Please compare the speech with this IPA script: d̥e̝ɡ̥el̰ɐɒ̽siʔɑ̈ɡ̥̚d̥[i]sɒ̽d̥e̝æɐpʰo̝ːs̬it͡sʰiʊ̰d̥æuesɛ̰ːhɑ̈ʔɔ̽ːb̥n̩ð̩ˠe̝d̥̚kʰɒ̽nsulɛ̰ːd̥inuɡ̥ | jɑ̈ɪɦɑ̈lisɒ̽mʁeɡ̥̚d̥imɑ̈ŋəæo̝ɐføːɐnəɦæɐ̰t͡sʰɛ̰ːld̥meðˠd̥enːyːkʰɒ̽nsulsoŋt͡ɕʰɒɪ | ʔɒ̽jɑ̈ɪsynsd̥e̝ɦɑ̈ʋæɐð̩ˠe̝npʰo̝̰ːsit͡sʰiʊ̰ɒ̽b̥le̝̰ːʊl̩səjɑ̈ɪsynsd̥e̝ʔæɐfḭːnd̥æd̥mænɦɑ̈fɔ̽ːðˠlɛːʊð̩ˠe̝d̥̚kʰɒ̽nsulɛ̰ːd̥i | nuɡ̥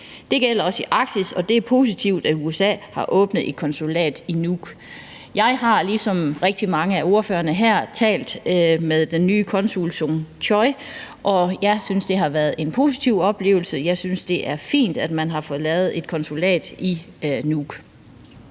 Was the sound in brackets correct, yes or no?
yes